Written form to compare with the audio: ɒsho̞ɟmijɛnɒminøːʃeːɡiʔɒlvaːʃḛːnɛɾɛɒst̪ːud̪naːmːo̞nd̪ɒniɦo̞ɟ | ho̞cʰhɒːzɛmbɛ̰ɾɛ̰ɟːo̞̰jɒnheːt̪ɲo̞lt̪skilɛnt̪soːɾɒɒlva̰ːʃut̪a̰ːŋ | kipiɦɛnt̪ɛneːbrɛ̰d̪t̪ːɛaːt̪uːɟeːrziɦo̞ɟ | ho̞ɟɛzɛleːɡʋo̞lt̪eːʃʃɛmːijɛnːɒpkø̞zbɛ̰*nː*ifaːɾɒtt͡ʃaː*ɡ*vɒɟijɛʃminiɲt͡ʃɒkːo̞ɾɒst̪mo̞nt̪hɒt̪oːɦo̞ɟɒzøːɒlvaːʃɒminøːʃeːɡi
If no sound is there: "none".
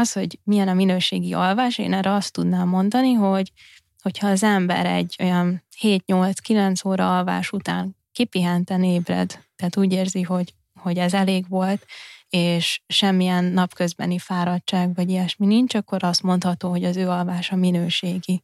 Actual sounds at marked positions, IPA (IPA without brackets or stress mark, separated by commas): n, ɡ